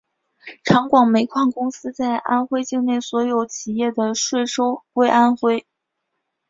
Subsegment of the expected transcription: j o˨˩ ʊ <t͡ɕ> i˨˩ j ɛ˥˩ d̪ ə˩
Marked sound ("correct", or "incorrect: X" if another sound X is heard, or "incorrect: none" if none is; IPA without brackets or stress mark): incorrect: t͡ɕʰ